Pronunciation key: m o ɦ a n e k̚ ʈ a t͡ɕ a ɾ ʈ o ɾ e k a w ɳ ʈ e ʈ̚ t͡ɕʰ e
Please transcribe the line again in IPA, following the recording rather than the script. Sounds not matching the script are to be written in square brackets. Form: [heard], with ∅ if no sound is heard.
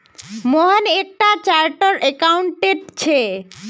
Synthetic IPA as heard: m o ɦ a n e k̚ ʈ a t͡ɕ a ɾ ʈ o ɾ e k a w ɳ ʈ e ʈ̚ t͡ɕʰ e